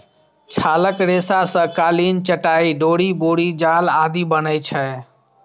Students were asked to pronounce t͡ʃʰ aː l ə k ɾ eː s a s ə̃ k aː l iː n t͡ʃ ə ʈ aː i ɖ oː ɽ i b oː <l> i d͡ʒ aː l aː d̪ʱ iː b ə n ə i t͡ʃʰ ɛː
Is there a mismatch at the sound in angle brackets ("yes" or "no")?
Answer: yes